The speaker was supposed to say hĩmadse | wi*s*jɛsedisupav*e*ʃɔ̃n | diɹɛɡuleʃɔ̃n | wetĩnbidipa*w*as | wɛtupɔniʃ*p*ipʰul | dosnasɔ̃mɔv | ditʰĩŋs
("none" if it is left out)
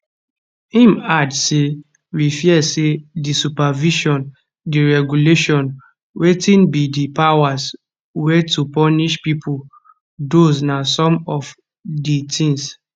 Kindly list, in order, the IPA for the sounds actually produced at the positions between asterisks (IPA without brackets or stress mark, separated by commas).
f, i, w, p